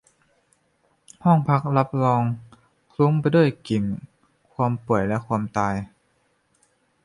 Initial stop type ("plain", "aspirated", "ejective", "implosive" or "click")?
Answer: aspirated